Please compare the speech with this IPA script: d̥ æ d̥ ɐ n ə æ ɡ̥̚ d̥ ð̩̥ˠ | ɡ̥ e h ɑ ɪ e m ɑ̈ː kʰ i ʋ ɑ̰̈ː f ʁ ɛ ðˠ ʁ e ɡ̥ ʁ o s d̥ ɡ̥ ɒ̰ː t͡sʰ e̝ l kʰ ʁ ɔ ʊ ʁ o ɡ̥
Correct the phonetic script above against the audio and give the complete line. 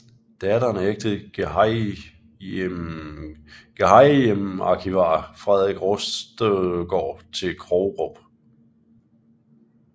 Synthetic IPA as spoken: d̥ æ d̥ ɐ n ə e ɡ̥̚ d̥ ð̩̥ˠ | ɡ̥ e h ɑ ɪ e m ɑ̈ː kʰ i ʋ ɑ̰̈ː f ʁ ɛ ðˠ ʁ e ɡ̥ ʁ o s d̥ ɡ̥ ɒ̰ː t͡sʰ e̝ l kʰ ʁ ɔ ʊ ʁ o b̥